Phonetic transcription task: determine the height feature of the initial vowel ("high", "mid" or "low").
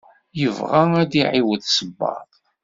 mid